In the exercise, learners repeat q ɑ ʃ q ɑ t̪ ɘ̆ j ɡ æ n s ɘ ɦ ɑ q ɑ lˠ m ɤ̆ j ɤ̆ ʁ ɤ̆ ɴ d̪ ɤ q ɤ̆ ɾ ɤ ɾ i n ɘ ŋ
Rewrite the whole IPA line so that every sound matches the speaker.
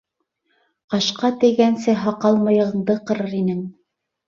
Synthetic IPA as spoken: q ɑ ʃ q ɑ t̪ ɘ̆ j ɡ æ n s ɘ ɦ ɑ q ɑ lˠ m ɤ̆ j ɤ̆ ʁ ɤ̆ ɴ d̪ ɤ q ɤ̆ ɾ ɤ ɾ i n ɘ ŋ